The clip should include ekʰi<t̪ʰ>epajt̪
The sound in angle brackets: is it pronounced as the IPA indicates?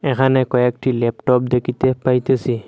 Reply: no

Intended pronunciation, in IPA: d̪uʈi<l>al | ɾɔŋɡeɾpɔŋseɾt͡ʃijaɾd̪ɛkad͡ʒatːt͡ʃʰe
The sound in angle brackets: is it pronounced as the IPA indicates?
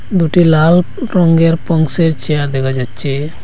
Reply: yes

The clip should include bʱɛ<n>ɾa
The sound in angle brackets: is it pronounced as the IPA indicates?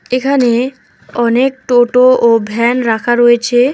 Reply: yes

